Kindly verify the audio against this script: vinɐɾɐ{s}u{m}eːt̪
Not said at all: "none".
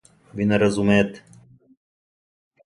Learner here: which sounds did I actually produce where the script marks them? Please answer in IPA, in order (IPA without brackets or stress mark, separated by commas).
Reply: z, m